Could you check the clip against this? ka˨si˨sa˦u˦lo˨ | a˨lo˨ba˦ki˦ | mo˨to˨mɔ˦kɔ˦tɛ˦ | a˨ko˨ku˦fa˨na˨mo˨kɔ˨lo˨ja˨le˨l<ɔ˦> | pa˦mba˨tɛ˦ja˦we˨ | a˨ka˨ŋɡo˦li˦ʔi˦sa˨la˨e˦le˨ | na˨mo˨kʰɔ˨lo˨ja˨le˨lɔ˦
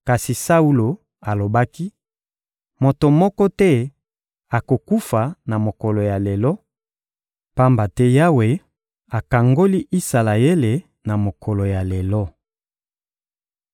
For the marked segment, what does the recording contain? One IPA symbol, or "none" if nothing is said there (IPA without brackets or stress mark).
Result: ɔ˦